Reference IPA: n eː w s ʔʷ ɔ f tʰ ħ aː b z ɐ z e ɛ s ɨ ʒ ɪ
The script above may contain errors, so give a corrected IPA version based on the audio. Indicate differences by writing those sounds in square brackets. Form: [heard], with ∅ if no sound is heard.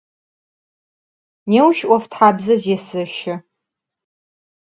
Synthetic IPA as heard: n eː w [ʃ] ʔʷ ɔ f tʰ ħ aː b z ɐ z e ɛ s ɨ [ʃ] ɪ